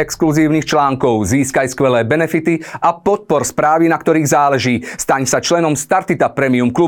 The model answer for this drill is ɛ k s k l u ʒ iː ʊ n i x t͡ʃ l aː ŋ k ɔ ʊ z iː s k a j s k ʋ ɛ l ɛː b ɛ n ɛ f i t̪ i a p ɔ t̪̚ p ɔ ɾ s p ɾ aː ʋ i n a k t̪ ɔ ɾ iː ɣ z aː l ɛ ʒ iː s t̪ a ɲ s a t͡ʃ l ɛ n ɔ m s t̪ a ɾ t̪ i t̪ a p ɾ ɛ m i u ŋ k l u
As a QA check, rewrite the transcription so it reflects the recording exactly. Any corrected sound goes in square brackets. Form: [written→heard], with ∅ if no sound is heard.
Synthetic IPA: ɛ k s k l u [ʒ→z] iː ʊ n i x t͡ʃ l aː ŋ k ɔ ʊ z iː s k a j s k ʋ ɛ l ɛː b ɛ n ɛ f i t̪ i a p ɔ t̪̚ p ɔ ɾ s p ɾ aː ʋ i n a k t̪ ɔ ɾ iː ɣ z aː l ɛ ʒ iː s t̪ a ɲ s a t͡ʃ l ɛ n ɔ m s t̪ a ɾ t̪ i t̪ a p ɾ ɛ m i u [ŋ→m] k l u